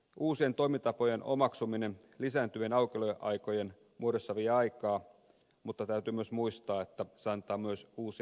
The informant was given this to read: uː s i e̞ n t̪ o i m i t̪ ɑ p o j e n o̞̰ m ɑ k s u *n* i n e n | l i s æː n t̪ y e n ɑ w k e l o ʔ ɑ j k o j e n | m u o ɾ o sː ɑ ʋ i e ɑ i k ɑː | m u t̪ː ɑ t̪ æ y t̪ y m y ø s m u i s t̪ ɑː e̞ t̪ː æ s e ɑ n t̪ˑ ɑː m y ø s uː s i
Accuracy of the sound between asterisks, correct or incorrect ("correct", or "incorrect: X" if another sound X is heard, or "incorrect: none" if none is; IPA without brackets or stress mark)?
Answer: incorrect: m